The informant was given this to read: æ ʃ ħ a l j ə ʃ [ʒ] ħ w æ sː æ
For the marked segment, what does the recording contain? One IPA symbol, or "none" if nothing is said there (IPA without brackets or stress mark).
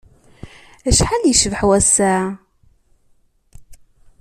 v